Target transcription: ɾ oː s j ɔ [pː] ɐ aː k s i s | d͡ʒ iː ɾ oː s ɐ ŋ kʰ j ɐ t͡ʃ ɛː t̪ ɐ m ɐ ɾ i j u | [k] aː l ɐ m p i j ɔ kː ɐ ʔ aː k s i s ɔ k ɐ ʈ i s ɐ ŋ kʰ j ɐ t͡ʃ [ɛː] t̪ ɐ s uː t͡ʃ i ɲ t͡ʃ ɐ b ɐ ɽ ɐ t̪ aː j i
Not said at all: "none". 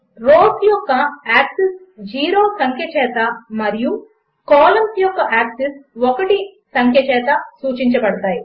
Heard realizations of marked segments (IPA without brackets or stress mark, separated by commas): kː, k, ɛː